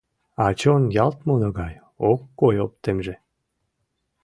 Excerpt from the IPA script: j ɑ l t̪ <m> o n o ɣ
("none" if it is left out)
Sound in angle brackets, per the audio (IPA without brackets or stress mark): m